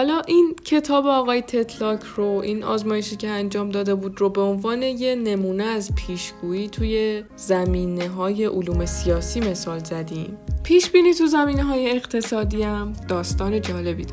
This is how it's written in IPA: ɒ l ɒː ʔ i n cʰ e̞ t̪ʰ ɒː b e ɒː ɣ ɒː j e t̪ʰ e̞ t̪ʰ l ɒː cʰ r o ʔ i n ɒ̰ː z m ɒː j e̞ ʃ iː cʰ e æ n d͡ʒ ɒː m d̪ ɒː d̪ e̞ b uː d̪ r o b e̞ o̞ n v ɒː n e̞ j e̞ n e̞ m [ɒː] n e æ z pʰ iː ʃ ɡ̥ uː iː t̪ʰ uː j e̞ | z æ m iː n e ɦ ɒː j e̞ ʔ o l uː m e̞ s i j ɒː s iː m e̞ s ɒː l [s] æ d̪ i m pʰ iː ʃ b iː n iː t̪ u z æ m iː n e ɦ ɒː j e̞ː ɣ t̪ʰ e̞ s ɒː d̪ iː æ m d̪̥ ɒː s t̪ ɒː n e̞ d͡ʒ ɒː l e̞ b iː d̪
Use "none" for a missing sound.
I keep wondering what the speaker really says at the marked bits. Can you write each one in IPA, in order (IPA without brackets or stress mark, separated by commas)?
uː, z